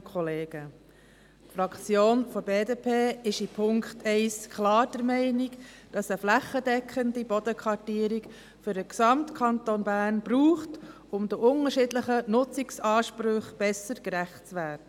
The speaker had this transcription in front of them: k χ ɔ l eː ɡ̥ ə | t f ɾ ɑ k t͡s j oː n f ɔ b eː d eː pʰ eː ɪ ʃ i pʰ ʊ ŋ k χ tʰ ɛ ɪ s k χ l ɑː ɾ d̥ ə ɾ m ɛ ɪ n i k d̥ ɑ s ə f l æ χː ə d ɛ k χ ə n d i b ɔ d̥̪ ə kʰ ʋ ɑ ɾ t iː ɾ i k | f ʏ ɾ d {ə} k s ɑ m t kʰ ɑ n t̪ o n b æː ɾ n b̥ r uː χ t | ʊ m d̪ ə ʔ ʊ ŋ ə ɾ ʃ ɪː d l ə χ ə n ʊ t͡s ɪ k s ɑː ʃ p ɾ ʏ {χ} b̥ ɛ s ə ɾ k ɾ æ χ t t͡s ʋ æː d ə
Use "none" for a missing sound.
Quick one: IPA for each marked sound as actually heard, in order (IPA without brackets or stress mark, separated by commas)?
ə, χ